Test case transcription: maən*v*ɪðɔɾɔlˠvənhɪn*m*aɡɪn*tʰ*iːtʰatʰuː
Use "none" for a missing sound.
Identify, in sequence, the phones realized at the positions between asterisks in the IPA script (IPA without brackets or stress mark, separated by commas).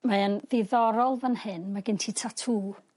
ð, m, tʰ